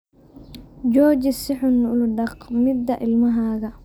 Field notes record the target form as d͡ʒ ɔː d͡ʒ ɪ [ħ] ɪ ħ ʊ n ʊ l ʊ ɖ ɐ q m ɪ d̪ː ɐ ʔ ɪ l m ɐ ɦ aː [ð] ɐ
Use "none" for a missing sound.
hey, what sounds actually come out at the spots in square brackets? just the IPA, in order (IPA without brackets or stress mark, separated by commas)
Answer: s, ɣ